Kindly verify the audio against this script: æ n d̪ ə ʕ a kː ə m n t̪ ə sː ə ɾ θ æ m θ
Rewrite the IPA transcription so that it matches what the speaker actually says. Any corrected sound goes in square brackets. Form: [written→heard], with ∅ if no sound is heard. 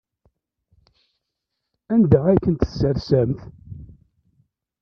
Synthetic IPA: æ n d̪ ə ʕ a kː ə [m→∅] n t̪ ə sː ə ɾ [θ→s] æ m θ